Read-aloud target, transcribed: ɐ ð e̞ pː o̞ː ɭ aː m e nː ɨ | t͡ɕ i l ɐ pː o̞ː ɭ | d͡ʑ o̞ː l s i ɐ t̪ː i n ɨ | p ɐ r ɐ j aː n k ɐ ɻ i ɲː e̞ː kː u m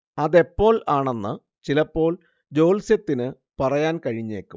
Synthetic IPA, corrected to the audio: ɐ ð e̞ pː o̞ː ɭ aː ɳ e nː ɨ | t͡ɕ i l ɐ pː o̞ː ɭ | d͡ʑ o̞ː l s j ɐ t̪ː i n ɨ | p ɐ r ɐ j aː n k ɐ ɻ i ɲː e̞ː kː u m